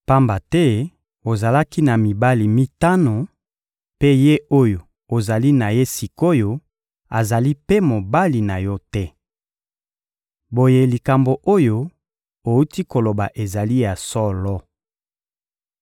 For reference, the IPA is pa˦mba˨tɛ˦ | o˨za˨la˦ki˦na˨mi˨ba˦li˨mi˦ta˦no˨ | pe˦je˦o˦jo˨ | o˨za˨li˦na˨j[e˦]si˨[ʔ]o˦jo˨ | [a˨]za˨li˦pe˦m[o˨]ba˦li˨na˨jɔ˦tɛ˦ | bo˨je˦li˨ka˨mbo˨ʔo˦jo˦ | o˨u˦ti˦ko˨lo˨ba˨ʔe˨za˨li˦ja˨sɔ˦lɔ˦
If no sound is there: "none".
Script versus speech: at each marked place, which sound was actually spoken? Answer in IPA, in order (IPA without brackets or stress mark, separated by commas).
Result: e˦, k, a˨, o˨